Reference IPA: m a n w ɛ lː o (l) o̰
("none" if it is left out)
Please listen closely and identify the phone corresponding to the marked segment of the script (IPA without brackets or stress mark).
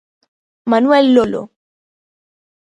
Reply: l